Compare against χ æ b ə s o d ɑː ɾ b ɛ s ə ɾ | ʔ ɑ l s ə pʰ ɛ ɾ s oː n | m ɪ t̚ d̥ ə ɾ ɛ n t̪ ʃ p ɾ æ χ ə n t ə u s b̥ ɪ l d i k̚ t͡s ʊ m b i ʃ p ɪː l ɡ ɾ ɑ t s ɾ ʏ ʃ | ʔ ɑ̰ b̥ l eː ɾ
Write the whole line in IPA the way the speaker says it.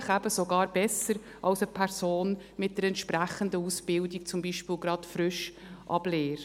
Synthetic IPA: χ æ b ə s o ɡ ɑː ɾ b ɛ s ə ɾ | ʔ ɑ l s ə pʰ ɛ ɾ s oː n | m ɪ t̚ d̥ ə ɾ ɛ n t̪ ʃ p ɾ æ χ ə n d ə u s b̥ ɪ l d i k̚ t͡s ʊ m b i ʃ p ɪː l ɡ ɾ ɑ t f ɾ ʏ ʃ | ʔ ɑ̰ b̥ l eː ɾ